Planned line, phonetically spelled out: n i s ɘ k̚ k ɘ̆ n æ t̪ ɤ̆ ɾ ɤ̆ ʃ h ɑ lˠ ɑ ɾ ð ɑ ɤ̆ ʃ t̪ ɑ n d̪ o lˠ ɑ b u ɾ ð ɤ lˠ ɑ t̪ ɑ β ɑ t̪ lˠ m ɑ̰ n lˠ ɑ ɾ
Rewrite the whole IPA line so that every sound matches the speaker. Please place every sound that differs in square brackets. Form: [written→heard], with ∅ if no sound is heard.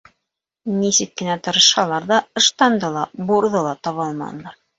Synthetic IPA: n i s ɘ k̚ k ɘ̆ n æ t̪ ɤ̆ ɾ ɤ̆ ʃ h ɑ lˠ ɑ ɾ ð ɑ ɤ̆ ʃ t̪ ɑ n d̪ [o→ɤ] lˠ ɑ b u ɾ ð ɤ lˠ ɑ t̪ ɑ β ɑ [t̪→∅] lˠ m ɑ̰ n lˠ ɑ ɾ